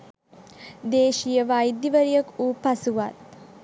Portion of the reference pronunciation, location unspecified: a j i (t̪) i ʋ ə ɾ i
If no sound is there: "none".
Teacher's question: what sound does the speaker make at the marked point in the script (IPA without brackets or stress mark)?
d̪